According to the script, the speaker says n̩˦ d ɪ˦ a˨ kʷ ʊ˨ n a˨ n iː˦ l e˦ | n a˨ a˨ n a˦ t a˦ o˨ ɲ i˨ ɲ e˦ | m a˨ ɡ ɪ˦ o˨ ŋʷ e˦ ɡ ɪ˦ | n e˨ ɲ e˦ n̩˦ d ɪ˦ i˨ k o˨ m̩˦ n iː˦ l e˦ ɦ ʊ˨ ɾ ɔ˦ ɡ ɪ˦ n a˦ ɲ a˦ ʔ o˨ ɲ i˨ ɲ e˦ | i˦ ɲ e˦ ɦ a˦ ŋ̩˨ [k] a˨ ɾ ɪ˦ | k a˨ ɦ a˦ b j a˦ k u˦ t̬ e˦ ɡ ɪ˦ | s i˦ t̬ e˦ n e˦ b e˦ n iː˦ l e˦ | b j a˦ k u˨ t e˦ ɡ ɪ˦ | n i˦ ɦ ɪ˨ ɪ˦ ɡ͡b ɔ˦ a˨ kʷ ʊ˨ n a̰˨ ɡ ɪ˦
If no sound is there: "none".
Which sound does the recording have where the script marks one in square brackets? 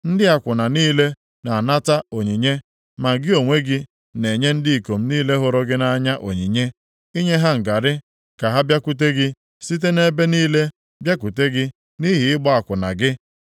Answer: ɡ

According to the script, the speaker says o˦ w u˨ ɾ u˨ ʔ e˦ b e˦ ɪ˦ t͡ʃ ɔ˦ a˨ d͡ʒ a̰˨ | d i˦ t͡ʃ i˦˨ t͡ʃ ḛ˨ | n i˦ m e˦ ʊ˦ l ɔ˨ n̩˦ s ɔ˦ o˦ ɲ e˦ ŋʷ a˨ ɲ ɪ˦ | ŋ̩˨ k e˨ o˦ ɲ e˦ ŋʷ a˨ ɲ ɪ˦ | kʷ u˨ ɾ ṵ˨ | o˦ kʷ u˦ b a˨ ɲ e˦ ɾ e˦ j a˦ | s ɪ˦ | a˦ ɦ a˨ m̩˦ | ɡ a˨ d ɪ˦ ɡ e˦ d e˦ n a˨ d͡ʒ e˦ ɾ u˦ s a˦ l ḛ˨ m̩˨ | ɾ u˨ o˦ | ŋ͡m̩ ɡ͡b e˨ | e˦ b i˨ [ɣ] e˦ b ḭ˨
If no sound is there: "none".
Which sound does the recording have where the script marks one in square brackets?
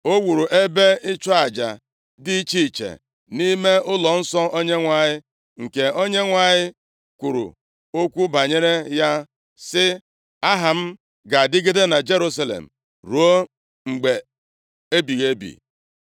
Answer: ɣ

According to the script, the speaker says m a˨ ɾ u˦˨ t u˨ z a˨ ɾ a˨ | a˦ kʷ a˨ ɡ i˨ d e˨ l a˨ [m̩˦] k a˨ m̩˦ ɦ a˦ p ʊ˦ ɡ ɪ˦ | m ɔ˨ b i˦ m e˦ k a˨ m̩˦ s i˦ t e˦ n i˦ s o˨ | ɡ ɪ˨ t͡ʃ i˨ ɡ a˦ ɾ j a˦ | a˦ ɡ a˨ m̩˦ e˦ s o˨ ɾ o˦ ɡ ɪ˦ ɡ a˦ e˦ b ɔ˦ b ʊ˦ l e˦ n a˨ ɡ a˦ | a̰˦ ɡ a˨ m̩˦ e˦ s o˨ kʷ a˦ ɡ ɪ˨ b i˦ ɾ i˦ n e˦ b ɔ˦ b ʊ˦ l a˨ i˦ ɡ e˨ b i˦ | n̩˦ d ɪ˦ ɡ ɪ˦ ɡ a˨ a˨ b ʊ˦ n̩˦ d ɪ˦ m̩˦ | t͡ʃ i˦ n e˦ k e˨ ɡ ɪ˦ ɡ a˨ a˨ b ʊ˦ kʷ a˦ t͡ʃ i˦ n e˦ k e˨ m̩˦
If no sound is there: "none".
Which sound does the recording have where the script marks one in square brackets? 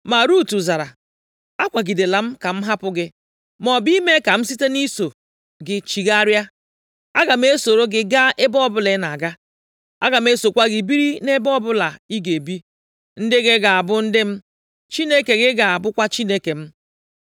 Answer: m̩˦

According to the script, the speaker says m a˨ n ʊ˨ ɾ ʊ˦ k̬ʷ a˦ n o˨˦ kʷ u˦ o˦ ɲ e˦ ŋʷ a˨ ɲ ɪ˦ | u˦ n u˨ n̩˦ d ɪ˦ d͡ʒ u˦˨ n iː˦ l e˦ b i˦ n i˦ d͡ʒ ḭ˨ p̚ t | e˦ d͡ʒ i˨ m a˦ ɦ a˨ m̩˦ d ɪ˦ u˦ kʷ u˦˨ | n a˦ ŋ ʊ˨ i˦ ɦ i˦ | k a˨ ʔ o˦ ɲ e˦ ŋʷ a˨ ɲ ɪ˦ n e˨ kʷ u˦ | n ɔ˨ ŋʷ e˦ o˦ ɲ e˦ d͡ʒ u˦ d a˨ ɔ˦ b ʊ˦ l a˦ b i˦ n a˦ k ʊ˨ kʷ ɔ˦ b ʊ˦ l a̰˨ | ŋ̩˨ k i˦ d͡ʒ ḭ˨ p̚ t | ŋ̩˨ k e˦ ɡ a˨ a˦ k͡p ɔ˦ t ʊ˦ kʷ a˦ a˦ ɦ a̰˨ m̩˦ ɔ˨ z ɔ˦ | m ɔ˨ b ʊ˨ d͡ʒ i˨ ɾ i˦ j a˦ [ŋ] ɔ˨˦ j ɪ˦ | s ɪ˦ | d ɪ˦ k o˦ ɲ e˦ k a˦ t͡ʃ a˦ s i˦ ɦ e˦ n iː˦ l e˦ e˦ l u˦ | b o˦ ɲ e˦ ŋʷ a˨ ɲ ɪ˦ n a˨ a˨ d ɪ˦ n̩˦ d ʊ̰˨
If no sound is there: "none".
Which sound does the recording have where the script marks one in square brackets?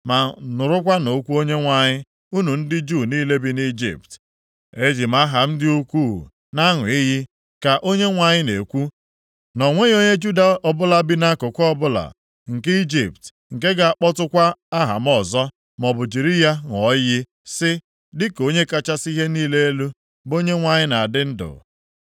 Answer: ŋ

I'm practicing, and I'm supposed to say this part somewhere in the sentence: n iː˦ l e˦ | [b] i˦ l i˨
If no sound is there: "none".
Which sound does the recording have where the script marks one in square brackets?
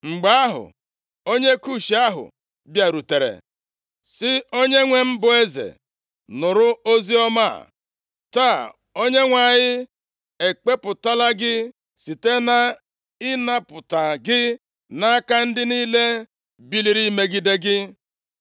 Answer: b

